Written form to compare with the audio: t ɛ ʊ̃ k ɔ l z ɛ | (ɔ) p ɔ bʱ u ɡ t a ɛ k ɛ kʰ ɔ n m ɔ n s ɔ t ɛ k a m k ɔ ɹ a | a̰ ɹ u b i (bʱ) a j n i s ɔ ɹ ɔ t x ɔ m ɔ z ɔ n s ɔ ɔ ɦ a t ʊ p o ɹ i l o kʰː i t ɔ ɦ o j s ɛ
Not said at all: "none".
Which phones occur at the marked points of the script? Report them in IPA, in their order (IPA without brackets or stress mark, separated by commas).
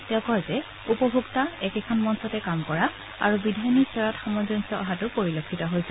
u, dʱ